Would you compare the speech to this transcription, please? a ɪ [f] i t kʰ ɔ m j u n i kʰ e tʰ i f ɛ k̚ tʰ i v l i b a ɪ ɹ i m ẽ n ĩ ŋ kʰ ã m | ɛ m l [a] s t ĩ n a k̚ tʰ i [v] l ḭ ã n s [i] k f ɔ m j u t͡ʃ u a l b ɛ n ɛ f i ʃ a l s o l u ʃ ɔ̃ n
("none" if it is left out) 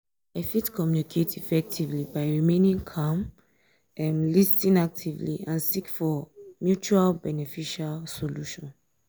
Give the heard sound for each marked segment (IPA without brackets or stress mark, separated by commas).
f, i, v, i